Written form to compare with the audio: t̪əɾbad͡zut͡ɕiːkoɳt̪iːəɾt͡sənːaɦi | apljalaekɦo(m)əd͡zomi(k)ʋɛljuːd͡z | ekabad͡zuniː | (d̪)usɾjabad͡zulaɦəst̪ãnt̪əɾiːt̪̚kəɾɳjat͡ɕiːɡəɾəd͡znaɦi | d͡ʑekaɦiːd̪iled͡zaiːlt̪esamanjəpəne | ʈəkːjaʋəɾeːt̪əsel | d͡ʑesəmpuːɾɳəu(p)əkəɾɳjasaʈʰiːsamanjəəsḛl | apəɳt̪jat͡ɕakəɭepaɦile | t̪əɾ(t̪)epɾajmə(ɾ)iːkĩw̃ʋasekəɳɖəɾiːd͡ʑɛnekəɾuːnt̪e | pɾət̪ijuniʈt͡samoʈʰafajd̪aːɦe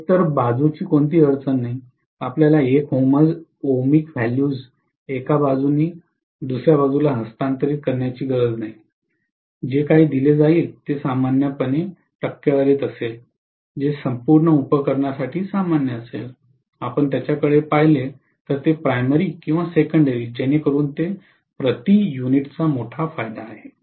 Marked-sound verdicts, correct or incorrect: correct, correct, correct, correct, correct, correct

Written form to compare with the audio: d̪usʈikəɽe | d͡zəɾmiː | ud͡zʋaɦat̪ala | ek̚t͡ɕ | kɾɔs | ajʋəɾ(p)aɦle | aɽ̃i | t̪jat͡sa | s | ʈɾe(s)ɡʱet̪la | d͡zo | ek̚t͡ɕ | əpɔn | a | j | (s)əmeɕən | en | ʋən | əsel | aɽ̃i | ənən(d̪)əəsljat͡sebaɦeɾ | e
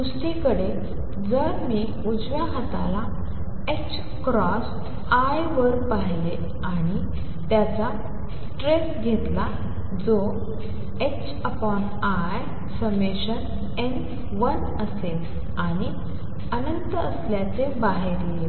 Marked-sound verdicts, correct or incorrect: correct, correct, correct, incorrect

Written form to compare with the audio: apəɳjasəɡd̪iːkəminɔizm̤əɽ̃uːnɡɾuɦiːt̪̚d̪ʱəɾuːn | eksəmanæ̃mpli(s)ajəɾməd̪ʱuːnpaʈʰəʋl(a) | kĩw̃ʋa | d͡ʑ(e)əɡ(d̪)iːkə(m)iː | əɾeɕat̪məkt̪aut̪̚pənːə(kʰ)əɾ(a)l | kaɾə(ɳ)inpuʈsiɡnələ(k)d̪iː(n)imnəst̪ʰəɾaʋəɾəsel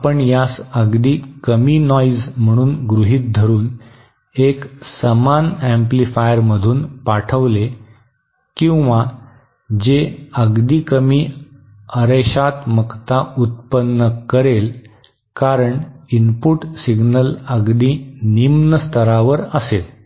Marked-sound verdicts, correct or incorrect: incorrect, incorrect, correct, correct, correct, incorrect, incorrect, correct, incorrect, correct

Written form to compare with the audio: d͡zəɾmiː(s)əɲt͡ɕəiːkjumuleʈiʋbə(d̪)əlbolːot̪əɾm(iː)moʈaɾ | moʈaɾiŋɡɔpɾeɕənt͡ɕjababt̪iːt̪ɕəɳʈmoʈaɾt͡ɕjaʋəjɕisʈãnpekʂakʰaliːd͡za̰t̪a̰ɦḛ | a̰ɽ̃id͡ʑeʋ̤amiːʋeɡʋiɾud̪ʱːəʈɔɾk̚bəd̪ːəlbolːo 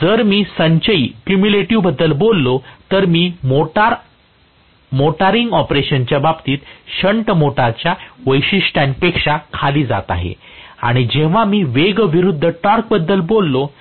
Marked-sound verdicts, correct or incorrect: correct, incorrect, correct

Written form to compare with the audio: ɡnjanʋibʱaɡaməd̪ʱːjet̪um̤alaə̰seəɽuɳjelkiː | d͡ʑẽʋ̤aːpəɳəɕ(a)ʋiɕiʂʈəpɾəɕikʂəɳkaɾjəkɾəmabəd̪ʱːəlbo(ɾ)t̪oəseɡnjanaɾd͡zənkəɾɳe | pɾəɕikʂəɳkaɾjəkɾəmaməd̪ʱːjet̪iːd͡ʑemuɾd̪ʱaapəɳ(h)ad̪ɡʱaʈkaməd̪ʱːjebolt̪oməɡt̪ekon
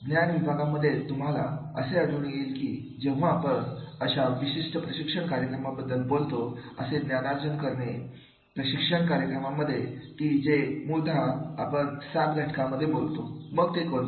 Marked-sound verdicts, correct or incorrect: correct, incorrect, incorrect

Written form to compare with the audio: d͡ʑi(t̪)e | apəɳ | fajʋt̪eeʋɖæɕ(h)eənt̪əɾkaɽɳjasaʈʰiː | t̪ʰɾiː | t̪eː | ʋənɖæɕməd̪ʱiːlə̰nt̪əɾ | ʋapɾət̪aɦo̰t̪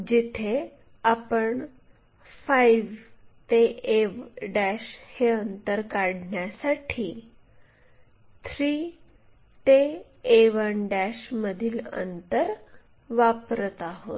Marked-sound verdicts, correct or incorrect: incorrect, correct

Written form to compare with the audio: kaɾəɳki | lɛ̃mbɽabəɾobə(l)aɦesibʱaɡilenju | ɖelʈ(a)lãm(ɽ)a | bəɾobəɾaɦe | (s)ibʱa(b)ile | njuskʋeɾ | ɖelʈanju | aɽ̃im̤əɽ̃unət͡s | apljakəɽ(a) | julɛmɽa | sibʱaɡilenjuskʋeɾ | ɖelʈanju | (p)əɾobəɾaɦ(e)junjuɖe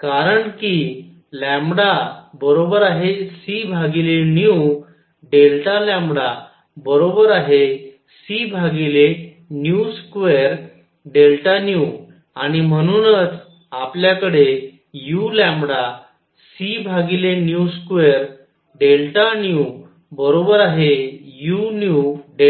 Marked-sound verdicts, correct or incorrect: incorrect, correct, correct, correct, incorrect, incorrect, incorrect, correct

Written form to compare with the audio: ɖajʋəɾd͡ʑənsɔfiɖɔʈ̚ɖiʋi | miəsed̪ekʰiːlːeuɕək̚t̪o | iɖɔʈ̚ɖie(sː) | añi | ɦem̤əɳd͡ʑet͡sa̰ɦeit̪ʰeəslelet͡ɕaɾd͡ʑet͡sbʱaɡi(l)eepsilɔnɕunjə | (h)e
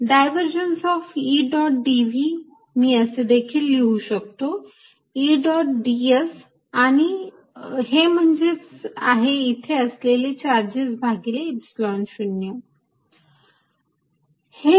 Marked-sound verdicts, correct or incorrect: incorrect, correct, correct

